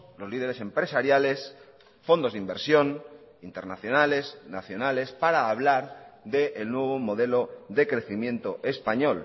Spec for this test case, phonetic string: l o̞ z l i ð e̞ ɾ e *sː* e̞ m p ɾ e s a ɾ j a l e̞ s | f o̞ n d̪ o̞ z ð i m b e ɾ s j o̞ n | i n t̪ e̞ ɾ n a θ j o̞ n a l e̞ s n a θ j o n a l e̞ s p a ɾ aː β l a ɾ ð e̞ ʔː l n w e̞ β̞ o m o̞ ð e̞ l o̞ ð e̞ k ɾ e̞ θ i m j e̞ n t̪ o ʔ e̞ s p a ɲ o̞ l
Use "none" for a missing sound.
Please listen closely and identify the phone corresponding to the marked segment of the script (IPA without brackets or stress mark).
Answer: s